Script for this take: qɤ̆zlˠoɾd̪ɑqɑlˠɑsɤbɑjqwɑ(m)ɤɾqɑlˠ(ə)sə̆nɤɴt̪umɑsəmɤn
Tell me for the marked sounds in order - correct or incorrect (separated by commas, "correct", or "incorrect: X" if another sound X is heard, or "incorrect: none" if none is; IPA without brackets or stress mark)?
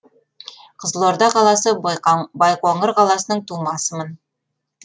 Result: incorrect: ɴ, incorrect: ɑ